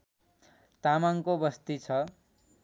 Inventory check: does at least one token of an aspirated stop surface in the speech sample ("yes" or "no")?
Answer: yes